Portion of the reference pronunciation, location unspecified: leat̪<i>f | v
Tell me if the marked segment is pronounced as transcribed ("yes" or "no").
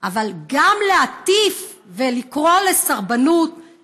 yes